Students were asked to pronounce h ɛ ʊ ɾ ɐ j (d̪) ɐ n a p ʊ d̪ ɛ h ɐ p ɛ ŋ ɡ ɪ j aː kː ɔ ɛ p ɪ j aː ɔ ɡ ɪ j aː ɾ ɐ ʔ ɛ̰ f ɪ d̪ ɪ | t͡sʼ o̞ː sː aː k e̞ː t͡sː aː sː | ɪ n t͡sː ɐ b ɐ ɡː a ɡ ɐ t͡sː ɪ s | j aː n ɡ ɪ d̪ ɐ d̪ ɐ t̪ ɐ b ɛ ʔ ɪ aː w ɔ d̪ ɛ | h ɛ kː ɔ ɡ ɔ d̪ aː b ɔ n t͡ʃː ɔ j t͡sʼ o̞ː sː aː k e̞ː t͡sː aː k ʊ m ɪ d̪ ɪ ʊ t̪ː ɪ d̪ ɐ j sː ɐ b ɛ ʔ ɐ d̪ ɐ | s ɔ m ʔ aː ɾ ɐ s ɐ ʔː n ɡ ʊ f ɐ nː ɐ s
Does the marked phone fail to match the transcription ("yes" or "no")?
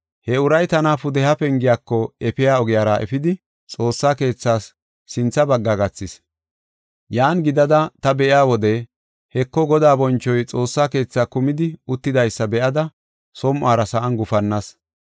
yes